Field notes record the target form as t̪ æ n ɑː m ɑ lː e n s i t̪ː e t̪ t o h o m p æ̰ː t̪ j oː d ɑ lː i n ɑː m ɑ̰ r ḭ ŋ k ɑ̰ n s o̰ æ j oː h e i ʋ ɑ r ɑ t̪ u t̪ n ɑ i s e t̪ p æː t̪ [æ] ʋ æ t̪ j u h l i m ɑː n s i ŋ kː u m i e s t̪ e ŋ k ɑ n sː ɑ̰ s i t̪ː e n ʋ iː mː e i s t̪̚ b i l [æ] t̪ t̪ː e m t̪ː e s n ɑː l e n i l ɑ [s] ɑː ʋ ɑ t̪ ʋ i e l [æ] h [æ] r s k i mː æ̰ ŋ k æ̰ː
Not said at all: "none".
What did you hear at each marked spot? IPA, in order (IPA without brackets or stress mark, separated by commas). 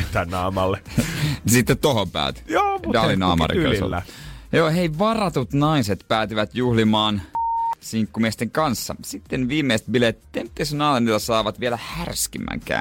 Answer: i, e, s, æ, æ